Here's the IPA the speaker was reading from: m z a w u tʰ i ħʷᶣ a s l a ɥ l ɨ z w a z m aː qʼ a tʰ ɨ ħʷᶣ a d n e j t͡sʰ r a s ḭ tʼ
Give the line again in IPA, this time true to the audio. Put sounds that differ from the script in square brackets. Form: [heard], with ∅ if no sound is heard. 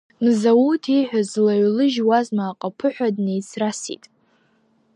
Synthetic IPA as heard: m z a w u tʰ i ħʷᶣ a [z] l a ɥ l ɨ [ʒ] w a z m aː qʼ a [pʰ] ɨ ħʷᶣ a d n e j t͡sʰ r a s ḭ tʼ